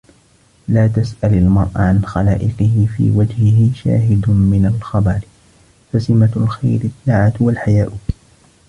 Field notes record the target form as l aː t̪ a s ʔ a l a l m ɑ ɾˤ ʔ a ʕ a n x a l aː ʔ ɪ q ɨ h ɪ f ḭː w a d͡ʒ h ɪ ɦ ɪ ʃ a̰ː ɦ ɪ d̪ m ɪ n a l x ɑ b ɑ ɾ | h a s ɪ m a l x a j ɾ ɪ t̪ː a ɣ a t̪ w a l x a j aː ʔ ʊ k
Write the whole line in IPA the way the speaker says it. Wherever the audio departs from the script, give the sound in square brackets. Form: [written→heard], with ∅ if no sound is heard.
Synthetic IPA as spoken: l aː t̪ a s ʔ a l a l m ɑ ɾˤ ʔ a ʕ a n x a l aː ʔ ɪ q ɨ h ɪ f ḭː w a d͡ʒ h ɪ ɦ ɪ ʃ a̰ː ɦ ɪ d̪ m ɪ n a l x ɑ b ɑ ɾ | [h→f] a s ɪ m a l x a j ɾ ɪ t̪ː a [ɣ→ʕ] a t̪ w a l [x→ħ] a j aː ʔ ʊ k